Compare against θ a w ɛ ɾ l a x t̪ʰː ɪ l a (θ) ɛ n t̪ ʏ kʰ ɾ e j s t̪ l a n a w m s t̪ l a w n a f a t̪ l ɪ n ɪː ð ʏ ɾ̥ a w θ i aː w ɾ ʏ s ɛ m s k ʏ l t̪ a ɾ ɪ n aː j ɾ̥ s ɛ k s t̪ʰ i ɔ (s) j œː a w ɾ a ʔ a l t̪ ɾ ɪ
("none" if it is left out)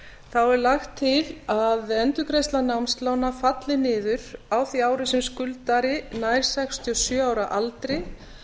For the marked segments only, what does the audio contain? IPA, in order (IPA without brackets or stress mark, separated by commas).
ð, s